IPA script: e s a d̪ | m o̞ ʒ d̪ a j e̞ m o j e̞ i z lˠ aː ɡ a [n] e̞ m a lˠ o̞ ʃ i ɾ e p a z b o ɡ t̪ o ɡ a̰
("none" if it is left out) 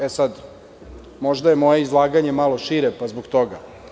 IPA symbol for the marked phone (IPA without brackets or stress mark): ɲ